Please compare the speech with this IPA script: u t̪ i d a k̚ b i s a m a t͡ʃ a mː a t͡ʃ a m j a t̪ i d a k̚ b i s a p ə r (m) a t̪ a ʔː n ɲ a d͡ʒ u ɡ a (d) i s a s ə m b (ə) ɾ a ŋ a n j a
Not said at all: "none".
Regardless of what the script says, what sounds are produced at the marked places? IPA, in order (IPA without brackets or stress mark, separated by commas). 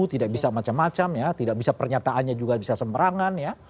ɲ, b, ə